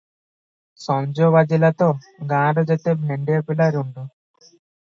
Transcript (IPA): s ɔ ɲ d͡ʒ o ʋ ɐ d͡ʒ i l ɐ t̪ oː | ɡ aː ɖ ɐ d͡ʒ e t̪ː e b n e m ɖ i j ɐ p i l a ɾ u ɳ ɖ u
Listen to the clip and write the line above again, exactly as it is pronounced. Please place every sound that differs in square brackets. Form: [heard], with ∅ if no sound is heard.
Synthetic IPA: s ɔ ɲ d͡ʒ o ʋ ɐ d͡ʒ i l ɐ t̪ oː | ɡ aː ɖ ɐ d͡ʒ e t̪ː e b n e [ɳ] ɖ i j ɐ p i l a ɾ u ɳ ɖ u